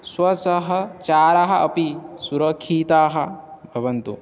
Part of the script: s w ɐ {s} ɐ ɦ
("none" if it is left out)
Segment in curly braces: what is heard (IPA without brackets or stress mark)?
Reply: s